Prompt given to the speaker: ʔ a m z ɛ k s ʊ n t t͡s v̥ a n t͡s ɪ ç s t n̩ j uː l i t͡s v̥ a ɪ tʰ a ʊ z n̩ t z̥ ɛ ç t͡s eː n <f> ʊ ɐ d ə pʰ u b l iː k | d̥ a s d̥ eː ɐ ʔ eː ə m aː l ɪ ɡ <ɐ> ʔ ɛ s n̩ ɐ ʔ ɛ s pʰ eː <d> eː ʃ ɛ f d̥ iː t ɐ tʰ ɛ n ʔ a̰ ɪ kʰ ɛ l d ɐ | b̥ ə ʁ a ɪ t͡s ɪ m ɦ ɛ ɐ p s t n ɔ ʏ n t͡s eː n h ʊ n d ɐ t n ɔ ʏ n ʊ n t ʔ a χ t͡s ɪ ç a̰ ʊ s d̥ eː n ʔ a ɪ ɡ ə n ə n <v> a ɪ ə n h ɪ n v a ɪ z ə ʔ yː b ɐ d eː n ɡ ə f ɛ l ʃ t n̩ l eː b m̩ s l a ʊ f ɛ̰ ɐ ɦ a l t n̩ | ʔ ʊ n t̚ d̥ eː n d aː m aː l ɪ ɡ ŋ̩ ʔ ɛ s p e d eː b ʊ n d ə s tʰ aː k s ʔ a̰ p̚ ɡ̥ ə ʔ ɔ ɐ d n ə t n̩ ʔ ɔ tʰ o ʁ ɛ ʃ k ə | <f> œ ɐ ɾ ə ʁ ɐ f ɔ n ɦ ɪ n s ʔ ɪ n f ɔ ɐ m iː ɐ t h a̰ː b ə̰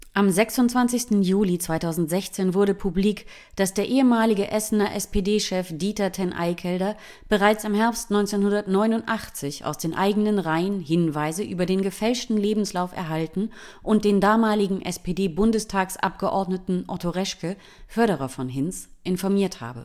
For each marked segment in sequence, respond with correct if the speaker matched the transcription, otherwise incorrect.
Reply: incorrect: v, incorrect: ə, correct, incorrect: ʁ, correct

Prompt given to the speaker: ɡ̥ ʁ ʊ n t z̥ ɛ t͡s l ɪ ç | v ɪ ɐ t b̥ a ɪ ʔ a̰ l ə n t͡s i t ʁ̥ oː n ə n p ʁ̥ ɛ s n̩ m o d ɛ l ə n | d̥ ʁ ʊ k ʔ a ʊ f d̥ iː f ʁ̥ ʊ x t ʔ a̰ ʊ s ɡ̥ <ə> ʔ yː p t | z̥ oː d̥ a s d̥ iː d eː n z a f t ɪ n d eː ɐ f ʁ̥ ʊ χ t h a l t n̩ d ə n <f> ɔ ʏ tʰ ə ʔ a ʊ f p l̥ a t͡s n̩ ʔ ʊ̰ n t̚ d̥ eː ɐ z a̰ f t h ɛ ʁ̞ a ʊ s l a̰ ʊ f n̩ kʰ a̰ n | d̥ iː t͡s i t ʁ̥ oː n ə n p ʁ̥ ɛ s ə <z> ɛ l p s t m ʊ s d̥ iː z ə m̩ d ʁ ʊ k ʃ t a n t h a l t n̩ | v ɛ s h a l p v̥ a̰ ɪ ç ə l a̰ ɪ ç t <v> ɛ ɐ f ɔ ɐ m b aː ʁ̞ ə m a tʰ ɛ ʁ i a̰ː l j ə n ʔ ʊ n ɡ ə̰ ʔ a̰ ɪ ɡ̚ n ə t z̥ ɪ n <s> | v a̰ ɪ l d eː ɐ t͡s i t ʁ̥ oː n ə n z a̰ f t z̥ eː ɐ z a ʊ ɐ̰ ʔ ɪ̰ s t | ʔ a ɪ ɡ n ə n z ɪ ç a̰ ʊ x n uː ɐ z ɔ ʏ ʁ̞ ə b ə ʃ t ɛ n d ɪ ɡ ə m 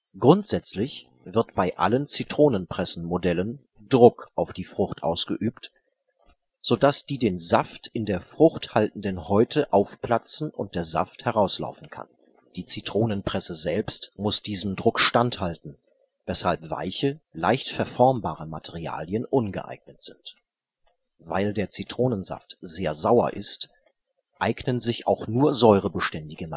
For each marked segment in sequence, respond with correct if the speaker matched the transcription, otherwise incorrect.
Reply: correct, incorrect: h, correct, incorrect: f, incorrect: t

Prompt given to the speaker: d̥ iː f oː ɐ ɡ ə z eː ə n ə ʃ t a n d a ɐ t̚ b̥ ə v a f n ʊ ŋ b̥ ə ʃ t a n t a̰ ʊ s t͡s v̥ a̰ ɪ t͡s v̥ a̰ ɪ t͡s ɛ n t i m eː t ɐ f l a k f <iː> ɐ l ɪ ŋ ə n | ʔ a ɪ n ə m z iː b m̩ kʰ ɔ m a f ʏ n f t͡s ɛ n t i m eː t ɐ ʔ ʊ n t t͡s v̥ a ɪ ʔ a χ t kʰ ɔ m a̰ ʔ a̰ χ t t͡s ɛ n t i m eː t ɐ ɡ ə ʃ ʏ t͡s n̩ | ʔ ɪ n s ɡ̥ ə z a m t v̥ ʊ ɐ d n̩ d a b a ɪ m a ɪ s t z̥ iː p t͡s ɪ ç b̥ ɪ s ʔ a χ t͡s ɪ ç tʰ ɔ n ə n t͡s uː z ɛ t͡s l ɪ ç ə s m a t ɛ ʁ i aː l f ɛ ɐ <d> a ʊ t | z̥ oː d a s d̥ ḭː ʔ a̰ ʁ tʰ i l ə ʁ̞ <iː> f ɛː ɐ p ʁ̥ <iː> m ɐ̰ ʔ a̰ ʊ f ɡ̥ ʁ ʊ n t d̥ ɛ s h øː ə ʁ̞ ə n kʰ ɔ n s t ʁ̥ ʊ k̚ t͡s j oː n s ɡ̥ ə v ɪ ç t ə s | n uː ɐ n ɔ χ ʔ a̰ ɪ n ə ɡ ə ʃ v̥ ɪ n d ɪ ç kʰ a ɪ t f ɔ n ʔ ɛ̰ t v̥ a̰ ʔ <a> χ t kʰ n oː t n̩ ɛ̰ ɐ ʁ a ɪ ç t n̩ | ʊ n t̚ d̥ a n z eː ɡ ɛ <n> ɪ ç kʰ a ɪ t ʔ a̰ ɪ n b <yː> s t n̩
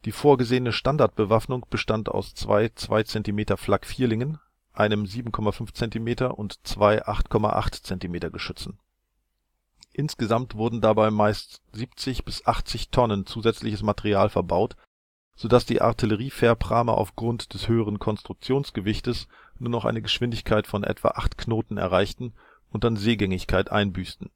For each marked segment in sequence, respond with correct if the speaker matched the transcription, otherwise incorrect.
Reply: correct, incorrect: b, correct, incorrect: aː, correct, incorrect: ŋ, correct

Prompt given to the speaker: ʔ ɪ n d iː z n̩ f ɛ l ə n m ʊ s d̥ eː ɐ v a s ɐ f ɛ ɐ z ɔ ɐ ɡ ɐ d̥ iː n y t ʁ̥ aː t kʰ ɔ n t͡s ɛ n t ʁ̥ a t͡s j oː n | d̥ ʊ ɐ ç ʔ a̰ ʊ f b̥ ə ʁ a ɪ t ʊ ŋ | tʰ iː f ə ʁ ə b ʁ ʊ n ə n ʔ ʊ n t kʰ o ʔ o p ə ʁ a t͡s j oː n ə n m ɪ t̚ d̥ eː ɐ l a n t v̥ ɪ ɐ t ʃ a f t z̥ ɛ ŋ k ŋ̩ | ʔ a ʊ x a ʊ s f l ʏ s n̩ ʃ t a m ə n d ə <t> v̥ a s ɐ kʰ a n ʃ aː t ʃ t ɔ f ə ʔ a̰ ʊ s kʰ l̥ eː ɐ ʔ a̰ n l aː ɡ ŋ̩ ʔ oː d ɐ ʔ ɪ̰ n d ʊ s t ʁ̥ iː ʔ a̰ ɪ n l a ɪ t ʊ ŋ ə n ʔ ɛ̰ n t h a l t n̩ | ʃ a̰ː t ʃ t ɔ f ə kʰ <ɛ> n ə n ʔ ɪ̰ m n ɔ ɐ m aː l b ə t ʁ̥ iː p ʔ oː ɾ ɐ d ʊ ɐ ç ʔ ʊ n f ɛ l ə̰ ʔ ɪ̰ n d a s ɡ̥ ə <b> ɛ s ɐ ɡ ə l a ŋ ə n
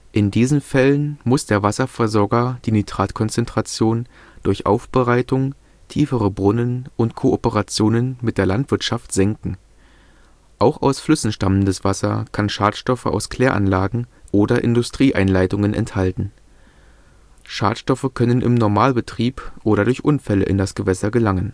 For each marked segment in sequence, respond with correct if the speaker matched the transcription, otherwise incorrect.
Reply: incorrect: s, incorrect: œ, incorrect: v

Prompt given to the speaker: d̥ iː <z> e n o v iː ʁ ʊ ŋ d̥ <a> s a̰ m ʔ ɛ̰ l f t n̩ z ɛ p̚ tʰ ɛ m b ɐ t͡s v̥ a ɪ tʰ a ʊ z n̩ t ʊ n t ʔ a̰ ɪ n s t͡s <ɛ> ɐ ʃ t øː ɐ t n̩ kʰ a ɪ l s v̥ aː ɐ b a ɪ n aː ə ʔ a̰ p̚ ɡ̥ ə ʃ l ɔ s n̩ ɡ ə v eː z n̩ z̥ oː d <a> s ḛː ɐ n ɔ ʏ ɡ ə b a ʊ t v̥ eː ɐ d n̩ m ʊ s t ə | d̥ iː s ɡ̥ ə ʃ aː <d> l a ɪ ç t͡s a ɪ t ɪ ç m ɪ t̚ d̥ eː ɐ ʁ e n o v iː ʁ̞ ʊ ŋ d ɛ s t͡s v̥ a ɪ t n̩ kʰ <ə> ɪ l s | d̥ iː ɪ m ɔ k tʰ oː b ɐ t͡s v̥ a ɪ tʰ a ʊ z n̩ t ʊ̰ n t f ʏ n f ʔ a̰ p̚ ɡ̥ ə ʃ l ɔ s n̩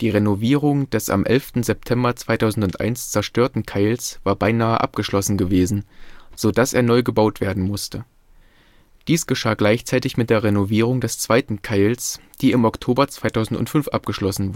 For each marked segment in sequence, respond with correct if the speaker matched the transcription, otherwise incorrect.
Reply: incorrect: ʁ, incorrect: ɛ, correct, correct, incorrect: ɡ, incorrect: a

